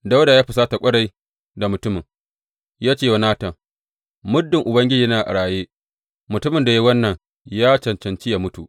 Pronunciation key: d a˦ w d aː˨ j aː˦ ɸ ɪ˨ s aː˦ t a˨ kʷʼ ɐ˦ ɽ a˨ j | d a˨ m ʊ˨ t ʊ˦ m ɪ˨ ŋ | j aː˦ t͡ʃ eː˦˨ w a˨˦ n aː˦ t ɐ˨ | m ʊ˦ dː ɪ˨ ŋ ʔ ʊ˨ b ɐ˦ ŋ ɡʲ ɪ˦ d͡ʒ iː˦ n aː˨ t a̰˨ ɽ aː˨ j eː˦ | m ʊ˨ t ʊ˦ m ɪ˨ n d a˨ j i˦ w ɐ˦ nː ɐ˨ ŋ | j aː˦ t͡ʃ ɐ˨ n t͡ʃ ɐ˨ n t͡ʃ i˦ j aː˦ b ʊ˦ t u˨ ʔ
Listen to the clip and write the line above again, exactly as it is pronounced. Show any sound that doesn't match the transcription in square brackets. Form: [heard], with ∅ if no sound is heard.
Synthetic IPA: d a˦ w d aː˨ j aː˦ ɸ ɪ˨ s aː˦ t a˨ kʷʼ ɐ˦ ɽ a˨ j | d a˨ m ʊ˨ t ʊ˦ m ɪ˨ ŋ | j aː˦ t͡ʃ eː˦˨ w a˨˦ n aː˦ t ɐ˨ | m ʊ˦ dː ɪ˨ ŋ ʔ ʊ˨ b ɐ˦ ŋ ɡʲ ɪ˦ d͡ʒ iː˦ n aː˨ [ʔ] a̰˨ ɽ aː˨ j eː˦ | m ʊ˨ t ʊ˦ m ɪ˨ n d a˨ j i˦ w ɐ˦ nː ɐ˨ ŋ | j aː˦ t͡ʃ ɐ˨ n t͡ʃ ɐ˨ n t͡ʃ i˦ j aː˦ [m] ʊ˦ t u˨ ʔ